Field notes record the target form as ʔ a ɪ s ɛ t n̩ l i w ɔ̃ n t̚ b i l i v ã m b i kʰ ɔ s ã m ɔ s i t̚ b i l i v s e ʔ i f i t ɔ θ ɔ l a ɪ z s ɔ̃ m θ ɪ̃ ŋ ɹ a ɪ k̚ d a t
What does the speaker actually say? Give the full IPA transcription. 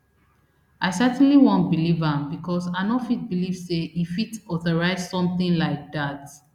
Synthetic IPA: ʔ a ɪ s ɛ t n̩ l i w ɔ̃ n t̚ b i l i v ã m b i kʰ ɔ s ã n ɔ f i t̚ b i l i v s e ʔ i f i t ɔ θ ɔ ɹ a ɪ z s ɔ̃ m θ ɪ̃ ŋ l a ɪ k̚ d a t